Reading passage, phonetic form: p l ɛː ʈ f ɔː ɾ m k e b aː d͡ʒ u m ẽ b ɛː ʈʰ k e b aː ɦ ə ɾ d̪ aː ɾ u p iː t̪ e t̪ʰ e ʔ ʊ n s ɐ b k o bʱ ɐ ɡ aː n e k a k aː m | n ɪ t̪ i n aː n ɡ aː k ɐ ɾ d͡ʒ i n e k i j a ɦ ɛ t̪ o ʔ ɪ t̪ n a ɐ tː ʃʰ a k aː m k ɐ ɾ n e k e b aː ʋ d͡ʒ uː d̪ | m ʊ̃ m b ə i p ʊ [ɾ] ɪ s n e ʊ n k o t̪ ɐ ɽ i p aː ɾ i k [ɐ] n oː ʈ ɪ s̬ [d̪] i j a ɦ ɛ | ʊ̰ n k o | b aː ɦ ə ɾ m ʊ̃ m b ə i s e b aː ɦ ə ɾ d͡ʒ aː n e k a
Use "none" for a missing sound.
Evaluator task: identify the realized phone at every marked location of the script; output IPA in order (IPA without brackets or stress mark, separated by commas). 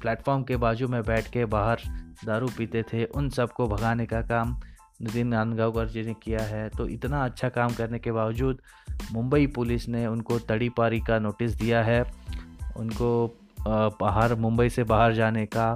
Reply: l, a, d̪